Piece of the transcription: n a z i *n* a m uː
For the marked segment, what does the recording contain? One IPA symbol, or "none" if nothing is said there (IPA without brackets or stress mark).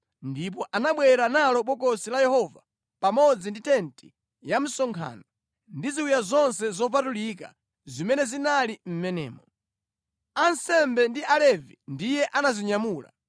ɲ